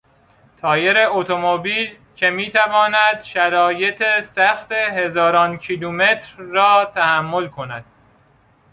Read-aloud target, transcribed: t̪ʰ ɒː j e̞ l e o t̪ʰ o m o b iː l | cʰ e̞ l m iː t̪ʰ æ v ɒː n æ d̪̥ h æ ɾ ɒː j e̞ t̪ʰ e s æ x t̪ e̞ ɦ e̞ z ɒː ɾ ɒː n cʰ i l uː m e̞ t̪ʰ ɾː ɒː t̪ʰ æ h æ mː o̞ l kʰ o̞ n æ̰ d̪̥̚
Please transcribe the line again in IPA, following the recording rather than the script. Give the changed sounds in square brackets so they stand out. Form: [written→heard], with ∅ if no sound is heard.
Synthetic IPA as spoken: t̪ʰ ɒː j e̞ [l→ɾ] e o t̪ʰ o m o b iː l | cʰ e̞ [l→∅] m iː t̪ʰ æ v ɒː n æ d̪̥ [h→ʃ] æ ɾ ɒː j e̞ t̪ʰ e s æ x t̪ e̞ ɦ e̞ z ɒː ɾ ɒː n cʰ i l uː m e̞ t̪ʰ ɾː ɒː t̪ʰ æ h æ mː o̞ l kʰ o̞ n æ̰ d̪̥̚